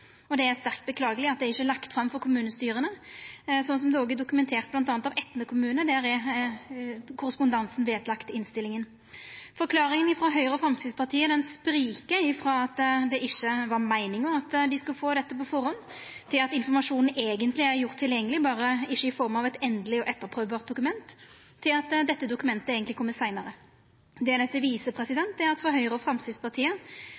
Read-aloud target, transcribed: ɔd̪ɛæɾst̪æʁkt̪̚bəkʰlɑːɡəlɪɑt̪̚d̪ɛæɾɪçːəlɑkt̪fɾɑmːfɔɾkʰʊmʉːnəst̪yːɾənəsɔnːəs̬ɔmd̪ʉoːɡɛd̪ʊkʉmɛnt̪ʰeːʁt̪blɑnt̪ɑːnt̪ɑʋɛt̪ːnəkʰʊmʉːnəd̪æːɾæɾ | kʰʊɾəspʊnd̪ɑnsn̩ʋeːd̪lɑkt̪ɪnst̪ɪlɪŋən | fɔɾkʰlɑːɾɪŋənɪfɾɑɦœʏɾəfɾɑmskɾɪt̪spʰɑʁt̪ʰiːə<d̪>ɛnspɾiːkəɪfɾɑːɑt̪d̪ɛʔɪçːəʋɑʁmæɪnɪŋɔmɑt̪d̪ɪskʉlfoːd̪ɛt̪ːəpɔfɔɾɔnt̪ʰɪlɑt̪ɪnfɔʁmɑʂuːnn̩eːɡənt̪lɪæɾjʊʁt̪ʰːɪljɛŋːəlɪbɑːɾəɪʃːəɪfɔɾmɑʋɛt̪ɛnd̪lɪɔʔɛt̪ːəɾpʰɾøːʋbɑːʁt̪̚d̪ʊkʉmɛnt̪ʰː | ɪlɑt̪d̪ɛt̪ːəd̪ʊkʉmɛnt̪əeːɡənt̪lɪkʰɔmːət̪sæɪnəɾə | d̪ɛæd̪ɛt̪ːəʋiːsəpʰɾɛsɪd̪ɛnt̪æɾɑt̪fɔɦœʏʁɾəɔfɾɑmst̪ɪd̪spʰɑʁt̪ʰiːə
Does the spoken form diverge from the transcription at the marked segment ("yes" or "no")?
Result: no